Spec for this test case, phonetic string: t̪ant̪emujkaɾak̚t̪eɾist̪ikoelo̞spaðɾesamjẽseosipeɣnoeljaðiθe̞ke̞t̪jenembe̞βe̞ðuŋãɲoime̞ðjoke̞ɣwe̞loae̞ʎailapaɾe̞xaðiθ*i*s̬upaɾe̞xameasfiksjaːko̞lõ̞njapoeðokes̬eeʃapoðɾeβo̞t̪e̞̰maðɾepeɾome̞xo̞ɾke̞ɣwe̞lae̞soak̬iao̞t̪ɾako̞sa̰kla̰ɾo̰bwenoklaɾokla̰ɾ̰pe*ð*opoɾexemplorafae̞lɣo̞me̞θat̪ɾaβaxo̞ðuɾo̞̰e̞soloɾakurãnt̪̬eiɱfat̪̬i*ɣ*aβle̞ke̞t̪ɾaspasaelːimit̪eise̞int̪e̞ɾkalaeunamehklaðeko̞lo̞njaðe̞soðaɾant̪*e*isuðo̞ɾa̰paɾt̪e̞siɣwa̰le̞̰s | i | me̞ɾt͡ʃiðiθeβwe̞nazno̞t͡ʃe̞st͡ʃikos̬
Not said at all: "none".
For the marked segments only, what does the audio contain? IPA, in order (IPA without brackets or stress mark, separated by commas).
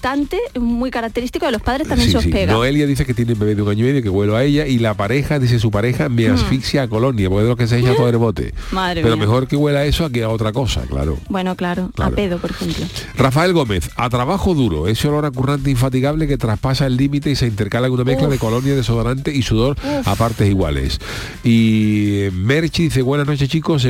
e, ð, ɣ, e